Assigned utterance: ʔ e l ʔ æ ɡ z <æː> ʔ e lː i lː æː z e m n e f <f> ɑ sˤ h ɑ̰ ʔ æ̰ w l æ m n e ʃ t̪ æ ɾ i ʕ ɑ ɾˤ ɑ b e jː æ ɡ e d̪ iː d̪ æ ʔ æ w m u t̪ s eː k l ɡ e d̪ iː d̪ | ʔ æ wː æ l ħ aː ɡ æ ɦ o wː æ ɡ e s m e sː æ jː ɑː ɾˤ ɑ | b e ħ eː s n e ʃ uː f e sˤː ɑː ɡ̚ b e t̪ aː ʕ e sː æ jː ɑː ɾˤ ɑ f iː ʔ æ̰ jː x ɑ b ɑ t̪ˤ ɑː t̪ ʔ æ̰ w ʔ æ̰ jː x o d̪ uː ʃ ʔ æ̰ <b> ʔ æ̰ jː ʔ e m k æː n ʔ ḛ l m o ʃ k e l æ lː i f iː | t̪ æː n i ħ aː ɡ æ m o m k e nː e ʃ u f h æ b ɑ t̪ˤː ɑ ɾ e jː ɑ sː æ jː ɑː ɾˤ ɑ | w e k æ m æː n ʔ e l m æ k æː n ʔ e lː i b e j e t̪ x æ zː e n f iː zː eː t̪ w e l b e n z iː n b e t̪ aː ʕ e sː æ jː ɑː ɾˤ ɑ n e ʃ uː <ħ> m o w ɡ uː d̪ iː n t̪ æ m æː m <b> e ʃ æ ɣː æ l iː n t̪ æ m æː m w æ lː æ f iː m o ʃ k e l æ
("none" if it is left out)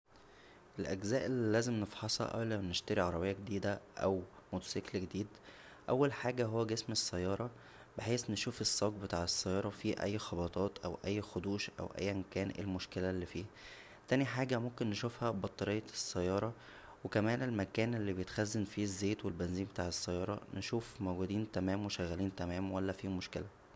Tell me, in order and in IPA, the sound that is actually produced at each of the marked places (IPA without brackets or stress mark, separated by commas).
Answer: æː, ħ, w, f, w